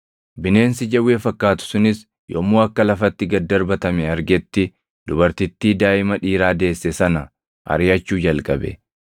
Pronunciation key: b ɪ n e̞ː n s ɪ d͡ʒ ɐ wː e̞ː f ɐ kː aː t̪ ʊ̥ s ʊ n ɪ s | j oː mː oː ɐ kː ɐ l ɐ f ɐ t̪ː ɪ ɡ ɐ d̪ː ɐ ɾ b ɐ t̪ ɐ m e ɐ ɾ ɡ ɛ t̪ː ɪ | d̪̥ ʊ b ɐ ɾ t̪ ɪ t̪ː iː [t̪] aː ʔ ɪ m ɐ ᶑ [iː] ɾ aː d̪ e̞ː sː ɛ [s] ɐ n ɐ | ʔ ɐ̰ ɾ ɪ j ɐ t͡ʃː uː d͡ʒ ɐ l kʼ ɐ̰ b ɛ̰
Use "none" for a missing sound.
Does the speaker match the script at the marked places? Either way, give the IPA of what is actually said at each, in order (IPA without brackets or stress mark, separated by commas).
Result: d̪, iː, s